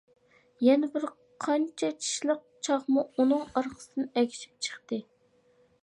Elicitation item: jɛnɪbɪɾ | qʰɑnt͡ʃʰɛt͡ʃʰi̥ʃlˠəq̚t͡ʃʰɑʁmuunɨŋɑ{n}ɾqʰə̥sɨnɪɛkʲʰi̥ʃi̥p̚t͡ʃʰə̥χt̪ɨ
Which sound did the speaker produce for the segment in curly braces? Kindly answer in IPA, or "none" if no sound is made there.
none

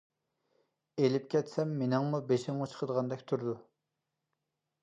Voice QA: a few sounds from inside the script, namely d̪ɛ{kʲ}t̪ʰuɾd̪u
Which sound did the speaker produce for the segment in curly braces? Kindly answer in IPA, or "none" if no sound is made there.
kʲ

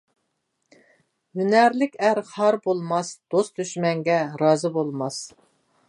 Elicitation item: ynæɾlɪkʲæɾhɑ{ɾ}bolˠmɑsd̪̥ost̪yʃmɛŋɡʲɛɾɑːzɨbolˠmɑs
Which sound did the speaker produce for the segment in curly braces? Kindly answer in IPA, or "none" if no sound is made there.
ɾ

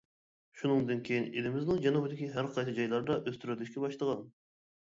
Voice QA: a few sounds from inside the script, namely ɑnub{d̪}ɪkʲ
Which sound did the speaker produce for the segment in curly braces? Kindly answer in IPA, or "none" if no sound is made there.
d̪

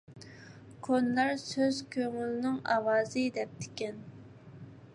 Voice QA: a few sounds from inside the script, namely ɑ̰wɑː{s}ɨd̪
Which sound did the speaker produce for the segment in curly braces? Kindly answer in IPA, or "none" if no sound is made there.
z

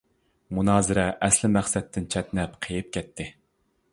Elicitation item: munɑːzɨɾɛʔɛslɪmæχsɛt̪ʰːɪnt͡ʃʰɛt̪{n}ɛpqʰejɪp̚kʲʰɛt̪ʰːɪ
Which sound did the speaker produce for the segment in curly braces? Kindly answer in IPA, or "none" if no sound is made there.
n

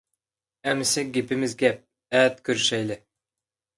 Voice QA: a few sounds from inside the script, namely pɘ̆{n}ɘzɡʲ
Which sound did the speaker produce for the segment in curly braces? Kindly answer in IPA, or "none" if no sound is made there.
m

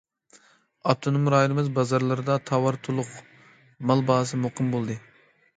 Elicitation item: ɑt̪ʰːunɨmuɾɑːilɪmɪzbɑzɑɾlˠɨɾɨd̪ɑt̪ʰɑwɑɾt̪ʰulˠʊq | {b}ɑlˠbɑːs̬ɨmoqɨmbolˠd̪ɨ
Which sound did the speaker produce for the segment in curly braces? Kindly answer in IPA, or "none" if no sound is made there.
m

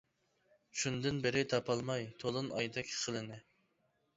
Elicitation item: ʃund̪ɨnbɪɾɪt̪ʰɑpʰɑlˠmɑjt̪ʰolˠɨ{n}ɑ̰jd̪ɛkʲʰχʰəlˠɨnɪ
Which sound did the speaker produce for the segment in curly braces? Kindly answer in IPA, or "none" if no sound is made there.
n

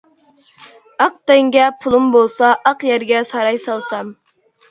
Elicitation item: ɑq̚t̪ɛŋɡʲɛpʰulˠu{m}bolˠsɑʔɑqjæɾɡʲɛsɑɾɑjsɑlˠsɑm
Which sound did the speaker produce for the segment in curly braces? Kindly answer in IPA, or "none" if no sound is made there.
m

